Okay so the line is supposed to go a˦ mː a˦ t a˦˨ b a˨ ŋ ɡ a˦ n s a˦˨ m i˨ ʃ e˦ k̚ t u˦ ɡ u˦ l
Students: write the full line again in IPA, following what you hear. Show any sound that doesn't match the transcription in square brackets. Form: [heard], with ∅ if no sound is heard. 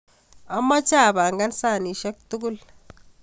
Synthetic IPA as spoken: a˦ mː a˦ [t͡ʃ] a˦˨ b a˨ ŋ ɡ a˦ n s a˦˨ [n] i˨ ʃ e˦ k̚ t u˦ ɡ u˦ l